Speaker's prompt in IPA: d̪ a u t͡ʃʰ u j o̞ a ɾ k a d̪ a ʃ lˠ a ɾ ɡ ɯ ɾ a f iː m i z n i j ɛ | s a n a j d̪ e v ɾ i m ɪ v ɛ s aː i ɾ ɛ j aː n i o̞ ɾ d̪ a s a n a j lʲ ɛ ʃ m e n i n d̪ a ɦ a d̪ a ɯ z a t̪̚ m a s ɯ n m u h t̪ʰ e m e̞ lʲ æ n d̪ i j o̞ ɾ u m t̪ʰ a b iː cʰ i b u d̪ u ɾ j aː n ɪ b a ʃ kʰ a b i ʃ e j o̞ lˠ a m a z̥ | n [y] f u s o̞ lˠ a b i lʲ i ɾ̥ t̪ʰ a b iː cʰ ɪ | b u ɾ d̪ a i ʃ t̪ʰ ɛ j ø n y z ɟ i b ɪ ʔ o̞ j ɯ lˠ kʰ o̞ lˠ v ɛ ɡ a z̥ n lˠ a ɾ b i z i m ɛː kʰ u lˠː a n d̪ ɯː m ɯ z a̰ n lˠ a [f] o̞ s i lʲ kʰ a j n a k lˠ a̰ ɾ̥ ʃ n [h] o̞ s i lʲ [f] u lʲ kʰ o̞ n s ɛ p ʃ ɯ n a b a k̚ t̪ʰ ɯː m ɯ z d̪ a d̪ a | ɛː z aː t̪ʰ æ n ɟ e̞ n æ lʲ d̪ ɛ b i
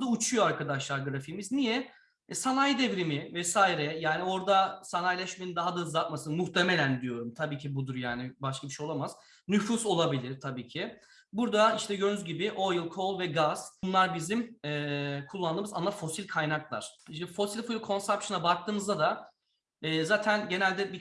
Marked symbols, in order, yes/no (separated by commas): yes, yes, no, yes